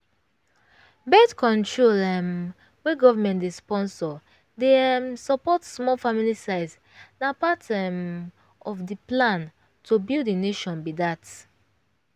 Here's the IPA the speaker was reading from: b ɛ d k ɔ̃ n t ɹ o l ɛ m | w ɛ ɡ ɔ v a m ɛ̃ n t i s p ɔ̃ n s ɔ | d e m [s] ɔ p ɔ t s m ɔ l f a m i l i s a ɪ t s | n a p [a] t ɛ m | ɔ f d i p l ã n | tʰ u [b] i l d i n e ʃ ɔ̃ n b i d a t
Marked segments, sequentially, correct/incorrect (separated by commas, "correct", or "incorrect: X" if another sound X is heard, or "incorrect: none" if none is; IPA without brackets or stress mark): correct, correct, correct